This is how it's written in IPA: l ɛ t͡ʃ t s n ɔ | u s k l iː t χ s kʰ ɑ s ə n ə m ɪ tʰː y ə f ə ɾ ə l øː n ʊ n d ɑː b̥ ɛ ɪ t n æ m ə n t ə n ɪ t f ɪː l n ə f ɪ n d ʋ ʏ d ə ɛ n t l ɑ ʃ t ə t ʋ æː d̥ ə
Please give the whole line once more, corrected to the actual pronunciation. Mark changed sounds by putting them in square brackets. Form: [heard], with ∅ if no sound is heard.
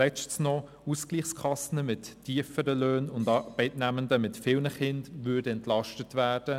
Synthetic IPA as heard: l ɛ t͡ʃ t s n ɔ | u s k l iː [∅] χ s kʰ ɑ s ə n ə m ɪ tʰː [i] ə f ə ɾ ə l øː n ʊ n d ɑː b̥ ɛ ɪ t n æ m ə n [d] ə [m] ɪ t f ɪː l n ə [χ] ɪ n d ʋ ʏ d ə ɛ n t l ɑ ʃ t ə t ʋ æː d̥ ə